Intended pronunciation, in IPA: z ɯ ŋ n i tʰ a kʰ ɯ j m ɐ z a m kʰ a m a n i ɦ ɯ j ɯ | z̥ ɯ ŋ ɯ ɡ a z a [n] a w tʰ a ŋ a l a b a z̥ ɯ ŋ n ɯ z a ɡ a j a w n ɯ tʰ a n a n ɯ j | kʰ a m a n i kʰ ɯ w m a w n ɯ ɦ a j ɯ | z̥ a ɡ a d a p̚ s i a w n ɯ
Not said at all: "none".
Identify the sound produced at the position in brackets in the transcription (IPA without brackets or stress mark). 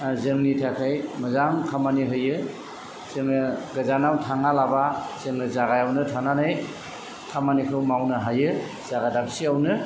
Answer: n